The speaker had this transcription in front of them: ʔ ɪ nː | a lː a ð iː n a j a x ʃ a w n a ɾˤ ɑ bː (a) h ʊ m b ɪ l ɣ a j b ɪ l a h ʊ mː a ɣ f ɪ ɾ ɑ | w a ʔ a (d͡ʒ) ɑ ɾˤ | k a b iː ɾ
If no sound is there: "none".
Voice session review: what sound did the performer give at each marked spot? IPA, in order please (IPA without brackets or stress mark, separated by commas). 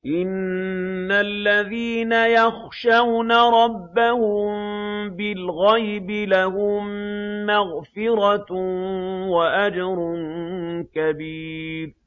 a, d͡ʒ